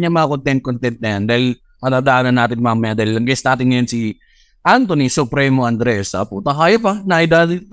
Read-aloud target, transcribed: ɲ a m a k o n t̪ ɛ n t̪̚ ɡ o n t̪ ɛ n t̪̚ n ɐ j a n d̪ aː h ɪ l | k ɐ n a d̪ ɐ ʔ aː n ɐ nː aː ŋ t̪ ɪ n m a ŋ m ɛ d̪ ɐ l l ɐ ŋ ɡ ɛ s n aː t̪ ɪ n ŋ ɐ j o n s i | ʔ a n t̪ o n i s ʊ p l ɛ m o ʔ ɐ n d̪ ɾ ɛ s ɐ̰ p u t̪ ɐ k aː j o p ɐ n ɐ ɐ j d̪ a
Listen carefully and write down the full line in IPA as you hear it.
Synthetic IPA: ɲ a m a k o n t̪ ɛ n t̪̚ k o n t̪ ɛ n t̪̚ n ɐ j a n d̪ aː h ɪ l | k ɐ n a d̪ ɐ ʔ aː n ɐ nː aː t̪ ɪ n m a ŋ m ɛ d̪ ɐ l l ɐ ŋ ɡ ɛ s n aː t̪ ɪ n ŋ ɐ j o n s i | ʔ a n t̪ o n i s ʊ p ɾ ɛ m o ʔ ɐ n d̪ ɾ ɛ s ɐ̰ p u t̪ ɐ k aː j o p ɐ n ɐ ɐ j d̪ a